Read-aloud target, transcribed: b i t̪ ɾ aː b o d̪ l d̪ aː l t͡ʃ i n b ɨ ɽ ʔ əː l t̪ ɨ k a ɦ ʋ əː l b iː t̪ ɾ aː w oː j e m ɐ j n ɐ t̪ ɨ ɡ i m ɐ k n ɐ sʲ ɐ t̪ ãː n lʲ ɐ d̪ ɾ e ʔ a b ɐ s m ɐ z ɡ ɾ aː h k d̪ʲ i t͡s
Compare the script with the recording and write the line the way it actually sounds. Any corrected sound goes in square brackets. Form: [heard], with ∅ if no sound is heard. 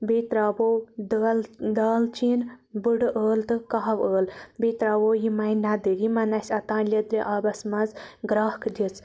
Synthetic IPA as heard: b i t̪ ɾ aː b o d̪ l d̪ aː l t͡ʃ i n b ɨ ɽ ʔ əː l t̪ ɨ k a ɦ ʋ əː l b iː t̪ ɾ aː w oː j [i] m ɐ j n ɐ [d̪] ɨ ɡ i m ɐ [∅] n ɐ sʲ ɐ t̪ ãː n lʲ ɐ d̪ ɾ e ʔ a b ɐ s m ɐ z ɡ ɾ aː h k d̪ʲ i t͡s